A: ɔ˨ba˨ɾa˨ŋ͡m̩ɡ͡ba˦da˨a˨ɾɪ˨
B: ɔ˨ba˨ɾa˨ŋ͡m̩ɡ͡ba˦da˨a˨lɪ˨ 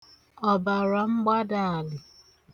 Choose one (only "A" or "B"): B